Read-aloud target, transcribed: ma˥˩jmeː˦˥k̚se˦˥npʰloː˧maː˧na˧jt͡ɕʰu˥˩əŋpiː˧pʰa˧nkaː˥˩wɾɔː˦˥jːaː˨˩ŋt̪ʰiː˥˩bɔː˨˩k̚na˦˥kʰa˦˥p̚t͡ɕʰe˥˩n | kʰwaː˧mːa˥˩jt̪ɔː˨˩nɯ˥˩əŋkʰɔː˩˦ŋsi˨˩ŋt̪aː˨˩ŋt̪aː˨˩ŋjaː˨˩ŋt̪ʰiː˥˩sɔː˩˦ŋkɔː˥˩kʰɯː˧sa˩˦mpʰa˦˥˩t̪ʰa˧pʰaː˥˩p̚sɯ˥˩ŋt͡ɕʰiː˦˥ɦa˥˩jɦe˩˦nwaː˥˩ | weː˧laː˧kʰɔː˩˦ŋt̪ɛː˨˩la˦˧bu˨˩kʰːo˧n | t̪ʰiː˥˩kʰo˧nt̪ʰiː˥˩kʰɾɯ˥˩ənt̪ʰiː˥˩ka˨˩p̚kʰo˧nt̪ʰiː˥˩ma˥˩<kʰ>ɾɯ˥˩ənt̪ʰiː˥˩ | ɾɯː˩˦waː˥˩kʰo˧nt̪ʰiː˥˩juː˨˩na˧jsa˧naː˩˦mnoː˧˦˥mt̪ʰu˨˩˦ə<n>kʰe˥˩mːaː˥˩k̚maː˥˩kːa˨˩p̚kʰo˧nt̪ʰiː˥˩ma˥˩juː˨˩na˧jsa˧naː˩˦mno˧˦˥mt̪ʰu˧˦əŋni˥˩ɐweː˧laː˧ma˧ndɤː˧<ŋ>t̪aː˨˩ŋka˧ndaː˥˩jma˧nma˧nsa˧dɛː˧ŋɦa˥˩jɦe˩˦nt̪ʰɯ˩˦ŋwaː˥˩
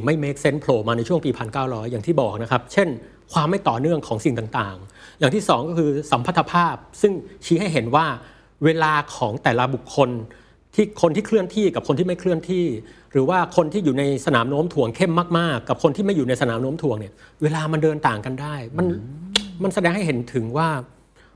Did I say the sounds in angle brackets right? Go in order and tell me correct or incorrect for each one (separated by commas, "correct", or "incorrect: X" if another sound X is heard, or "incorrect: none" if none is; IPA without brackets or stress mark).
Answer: correct, incorrect: ŋ, incorrect: n